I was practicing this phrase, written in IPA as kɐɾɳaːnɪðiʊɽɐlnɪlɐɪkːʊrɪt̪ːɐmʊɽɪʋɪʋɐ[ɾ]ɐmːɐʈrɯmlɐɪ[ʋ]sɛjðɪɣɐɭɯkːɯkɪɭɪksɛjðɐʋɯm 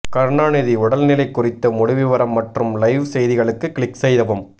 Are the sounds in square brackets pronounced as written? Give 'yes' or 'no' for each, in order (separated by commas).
yes, yes